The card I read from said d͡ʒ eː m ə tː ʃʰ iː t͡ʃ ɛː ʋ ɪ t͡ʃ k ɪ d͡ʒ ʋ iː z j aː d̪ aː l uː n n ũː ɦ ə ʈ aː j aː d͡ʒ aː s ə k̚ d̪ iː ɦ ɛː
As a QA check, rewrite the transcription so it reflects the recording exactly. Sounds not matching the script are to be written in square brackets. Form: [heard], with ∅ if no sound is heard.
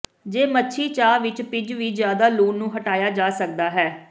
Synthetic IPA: d͡ʒ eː m ə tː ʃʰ iː t͡ʃ [aː] ʋ ɪ t͡ʃ [p] ɪ d͡ʒ ʋ iː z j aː d̪ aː l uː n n ũː ɦ ə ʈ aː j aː d͡ʒ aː s ə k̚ d̪ [aː] ɦ ɛː